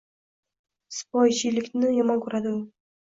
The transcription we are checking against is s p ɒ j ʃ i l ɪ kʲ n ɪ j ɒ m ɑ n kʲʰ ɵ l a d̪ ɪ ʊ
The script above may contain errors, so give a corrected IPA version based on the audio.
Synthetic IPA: s p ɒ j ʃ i l ɪ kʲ n ɪ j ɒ m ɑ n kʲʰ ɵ ɾ a d̪ ɪ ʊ

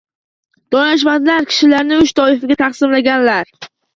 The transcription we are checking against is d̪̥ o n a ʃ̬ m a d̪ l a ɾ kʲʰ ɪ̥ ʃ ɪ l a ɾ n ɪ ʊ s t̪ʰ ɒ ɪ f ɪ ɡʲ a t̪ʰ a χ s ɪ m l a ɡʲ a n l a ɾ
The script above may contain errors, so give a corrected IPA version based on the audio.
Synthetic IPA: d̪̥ ɒ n a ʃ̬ m a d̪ l a ɾ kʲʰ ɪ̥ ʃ ɪ l a ɾ n ɪ ʊ ʃ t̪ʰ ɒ ɪ f ɪ ɡʲ a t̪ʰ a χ s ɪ m l a ɡʲ a n l a ɾ

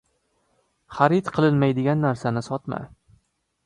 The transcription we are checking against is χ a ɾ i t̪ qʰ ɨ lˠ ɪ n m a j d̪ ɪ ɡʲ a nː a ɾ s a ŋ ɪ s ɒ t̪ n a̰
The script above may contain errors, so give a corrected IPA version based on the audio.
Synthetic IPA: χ a ɾ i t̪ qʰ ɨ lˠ ɪ n m a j d̪ ɪ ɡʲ a nː a ɾ s a n ɪ s ɒ t̪ m a̰

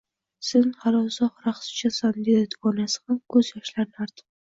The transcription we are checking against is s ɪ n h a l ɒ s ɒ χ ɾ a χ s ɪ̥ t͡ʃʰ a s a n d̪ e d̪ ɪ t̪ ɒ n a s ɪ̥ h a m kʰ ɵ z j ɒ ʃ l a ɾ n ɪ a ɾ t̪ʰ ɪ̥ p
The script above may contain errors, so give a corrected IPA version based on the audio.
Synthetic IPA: s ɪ n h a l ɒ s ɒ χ ɾ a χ s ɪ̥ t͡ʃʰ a s a n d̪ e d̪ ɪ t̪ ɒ n a s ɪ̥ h a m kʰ ɵ z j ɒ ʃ l a ɾ n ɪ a ɾ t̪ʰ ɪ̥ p

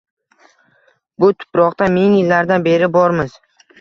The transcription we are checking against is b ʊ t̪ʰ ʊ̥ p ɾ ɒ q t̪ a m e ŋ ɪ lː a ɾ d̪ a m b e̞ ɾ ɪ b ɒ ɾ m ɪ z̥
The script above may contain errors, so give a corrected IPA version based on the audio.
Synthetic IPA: b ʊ t̪ʰ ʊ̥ p ɾ ɒ q t̪ a m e ŋ ɪ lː a ɾ d̪ a n b e̞ ɾ ɪ b ɒ ɾ m ɪ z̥

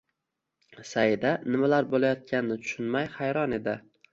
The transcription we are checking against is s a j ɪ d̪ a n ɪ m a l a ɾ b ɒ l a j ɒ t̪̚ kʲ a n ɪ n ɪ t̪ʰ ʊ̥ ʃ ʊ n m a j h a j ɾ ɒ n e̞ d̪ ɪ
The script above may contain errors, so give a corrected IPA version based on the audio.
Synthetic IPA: s a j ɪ d̪ a n ɪ m a l a ɾ b o l a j ɒ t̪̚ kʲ a n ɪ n ɪ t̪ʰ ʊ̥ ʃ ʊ n m a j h a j ɾ ɒ n e̞ d̪ ɪ

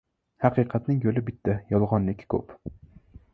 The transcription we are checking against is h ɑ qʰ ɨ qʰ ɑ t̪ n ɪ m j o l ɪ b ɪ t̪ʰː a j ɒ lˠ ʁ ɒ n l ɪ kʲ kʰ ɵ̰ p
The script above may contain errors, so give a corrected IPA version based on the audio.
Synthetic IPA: h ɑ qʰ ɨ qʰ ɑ t̪ n ɪ ŋ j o l ɪ b ɪ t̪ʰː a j ɒ lˠ ʁ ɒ n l ɪ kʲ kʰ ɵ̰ p

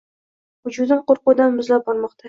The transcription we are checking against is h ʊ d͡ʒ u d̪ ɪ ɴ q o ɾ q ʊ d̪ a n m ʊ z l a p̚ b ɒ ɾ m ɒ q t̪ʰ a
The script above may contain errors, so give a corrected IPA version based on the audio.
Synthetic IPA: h ʊ d͡ʒ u d̪ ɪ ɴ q o ɾ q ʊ d̪ a n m ʊ z l a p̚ b ɒ ɾ m ɒ q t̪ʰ a

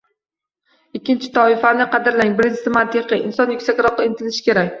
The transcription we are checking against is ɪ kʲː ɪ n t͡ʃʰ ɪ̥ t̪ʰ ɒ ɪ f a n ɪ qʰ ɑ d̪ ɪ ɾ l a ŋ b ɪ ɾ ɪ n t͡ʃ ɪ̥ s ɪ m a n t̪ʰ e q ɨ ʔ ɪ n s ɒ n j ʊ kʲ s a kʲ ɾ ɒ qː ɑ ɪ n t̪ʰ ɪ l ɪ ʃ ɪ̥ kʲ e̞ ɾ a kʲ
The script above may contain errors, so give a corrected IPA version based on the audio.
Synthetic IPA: ɪ kʲː ɪ n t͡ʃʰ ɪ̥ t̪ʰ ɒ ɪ f a n ɪ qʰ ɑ d̪ ɪ ɾ l a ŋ b ɪ ɾ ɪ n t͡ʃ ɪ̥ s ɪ m a n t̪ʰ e q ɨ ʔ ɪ n s ɒ n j ʊ kʲ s a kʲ ɾ ɒ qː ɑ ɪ n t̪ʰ ɪ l ɪ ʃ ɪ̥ kʲ e̞ ɾ a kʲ

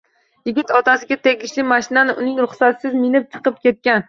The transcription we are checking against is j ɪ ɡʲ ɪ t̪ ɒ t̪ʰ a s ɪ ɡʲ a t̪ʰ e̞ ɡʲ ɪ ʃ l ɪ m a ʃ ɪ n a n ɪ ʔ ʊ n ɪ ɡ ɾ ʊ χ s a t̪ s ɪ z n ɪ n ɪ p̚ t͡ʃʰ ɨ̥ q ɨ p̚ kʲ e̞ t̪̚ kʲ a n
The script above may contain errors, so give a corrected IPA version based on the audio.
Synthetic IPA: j ɪ ɡʲ ɪ t̪ ɒ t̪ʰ a s ɪ ɡʲ a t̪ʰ e̞ ɡʲ ɪ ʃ l ɪ m a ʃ ɪ n a n ɪ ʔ ʊ n ɪ ŋ ɾ ʊ χ s a t̪ s ɪ z m ɪ n ɪ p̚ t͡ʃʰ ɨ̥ q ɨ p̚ kʲ e̞ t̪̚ kʲ a n

